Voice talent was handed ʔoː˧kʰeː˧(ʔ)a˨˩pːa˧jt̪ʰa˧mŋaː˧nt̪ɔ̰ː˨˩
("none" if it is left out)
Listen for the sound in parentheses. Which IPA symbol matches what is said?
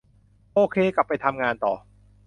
k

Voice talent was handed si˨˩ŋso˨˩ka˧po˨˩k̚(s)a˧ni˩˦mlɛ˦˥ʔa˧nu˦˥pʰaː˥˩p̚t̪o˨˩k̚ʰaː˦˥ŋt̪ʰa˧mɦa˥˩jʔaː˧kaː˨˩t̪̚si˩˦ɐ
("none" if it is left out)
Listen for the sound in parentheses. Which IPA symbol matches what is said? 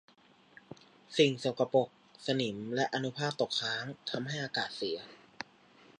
s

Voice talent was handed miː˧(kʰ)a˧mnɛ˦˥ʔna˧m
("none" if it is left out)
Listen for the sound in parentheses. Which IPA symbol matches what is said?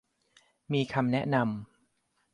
kʰ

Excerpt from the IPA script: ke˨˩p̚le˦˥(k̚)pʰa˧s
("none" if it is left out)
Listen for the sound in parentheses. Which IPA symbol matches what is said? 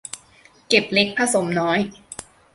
k̚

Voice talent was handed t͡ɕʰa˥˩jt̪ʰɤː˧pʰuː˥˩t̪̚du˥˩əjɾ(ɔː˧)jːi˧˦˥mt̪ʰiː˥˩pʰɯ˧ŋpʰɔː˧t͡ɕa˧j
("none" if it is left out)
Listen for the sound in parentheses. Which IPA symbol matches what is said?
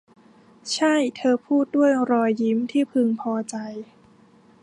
ɔː˧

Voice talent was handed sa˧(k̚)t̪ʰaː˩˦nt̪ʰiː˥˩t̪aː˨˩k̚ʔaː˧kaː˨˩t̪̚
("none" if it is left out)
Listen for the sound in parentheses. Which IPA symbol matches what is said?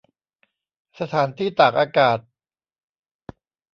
none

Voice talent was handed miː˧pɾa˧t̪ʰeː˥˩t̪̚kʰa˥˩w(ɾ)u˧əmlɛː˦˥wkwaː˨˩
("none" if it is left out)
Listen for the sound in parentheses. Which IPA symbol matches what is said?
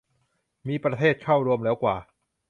ɾ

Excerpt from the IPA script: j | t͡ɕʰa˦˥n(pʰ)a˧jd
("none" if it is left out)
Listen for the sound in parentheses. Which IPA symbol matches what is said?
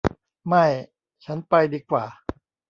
p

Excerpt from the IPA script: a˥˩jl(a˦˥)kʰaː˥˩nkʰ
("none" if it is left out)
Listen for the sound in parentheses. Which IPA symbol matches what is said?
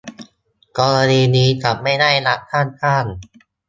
a˦˥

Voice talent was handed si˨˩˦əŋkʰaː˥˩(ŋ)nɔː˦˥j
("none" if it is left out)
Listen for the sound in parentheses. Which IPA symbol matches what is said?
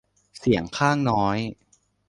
ŋ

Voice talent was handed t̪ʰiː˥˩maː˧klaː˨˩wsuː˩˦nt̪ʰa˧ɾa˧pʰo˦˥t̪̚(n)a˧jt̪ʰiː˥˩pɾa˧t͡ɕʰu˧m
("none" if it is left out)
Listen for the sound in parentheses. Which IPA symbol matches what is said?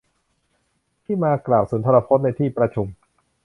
n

